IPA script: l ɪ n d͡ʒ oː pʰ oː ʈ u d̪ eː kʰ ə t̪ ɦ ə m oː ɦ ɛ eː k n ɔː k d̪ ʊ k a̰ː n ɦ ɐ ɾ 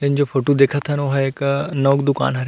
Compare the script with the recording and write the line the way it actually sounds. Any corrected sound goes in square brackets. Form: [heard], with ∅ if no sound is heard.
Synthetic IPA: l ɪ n d͡ʒ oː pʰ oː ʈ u d̪ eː kʰ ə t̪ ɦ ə [n] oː ɦ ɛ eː k n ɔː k d̪ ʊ k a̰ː n ɦ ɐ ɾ